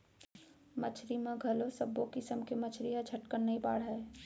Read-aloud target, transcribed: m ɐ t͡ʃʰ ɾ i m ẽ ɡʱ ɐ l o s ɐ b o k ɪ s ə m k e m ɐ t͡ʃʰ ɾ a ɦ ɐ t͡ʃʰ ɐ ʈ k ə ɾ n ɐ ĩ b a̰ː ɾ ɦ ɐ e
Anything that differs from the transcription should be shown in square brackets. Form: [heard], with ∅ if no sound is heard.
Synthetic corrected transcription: m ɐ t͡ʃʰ ɾ i m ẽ ɡʱ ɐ l o s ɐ b o k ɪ s ə m k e m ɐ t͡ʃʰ ɾ [i] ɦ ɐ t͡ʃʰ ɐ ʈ k ə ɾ n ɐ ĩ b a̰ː [ɽ] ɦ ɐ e